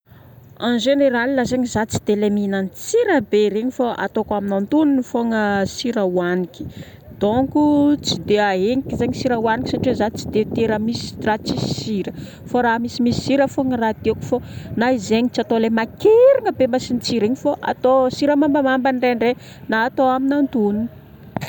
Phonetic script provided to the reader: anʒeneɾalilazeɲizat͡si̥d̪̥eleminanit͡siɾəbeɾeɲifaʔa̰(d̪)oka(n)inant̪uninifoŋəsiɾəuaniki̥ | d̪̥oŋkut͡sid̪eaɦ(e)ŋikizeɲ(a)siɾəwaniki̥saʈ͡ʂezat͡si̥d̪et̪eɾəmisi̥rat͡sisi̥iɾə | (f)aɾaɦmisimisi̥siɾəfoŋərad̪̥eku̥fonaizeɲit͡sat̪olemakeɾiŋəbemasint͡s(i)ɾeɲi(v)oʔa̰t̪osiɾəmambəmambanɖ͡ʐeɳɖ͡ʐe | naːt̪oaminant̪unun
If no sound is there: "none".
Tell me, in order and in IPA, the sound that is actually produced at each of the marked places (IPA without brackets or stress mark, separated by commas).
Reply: t̪, m, e, i, f, i, f